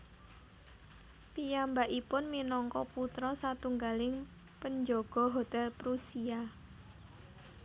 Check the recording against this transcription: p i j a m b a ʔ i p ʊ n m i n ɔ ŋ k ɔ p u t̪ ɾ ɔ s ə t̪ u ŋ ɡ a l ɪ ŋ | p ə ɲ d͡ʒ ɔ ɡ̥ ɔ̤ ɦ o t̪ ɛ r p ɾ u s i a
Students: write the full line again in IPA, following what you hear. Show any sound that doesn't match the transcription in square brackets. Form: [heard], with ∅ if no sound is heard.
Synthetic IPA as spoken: p i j a m b a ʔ i p ʊ n m i n ɔ ŋ k ɔ p u t̪ ɾ ɔ s [a] t̪ u ŋ ɡ a l ɪ ŋ | p ə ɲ d͡ʒ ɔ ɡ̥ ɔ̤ ɦ o t̪ ɛ [l] p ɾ u s i a